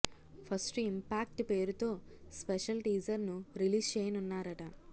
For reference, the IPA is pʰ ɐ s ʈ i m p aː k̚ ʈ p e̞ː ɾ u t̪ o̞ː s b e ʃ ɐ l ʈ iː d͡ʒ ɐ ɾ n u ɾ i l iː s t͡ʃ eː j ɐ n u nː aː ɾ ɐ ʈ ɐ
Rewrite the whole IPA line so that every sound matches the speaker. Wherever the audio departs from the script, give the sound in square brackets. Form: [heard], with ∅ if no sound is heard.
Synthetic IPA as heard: pʰ ɐ s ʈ i m p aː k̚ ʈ p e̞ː ɾ u t̪ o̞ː s [p] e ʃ ɐ l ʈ iː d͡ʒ ɐ ɾ n u ɾ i l iː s t͡ʃ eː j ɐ n u nː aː ɾ ɐ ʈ ɐ